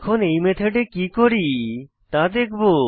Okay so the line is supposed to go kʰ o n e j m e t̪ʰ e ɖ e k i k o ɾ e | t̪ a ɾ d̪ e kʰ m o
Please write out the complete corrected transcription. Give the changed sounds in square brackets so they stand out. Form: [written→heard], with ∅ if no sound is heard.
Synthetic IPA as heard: kʰ o n e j m e t̪ʰ e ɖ e k i k o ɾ [e→i] | t̪ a [ɾ→∅] d̪ e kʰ [m→b] o